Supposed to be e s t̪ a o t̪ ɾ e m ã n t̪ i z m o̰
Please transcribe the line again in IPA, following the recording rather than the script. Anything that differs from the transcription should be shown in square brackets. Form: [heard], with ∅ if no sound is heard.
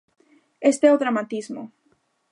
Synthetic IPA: e s t̪ [e] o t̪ ɾ [a] m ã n t̪ i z m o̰